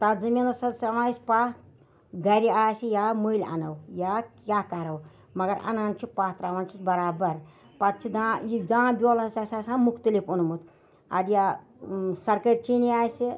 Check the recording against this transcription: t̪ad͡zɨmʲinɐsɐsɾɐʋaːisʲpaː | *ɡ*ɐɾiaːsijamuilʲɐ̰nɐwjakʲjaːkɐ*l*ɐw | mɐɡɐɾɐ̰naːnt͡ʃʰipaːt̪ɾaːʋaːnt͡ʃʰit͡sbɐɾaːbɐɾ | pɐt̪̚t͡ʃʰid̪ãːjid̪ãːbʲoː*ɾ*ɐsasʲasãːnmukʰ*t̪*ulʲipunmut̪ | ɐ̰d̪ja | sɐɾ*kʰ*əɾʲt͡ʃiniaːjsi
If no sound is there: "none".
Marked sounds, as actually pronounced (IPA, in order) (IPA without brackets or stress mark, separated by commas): ɡ, ɾ, l, t̪, k